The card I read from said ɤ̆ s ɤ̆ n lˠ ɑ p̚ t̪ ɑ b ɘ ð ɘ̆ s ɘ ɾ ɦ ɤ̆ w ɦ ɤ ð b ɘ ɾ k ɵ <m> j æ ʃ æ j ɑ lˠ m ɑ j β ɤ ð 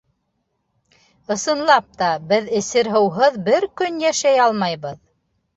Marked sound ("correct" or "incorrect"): incorrect